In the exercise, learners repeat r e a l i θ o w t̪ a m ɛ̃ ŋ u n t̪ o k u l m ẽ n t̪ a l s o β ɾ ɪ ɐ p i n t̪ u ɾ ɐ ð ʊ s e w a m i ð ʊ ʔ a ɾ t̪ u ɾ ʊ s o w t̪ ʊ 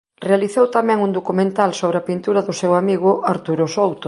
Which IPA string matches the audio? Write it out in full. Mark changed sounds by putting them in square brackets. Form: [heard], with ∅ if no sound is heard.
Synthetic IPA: r e a l i θ o w t̪ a m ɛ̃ ŋ u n [d̪] o k u [∅] m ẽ n t̪ a l s o β ɾ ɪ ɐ p i n t̪ u ɾ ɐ ð ʊ s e w a m i [ɣ] ʊ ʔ a ɾ t̪ u ɾ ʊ s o w t̪ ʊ